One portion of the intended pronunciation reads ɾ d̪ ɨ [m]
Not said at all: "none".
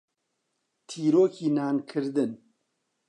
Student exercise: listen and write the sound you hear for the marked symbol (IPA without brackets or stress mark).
n